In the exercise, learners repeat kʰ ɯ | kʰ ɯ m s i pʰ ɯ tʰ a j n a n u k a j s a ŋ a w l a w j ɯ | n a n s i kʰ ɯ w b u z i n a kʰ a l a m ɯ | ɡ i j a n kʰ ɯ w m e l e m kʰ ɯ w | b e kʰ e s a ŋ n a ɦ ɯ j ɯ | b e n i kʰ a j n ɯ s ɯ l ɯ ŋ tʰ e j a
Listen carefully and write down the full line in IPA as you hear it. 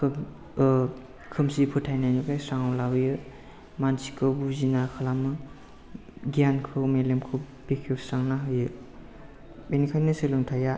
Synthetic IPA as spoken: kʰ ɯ | kʰ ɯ m s i pʰ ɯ tʰ a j n a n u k a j s a ŋ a w l a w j ɯ | m a n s i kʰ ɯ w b u z i n a kʰ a l a m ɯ | ɡ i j a n kʰ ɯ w m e l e m kʰ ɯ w | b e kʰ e s a ŋ n a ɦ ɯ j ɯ | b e n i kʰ a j n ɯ s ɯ l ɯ ŋ tʰ a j a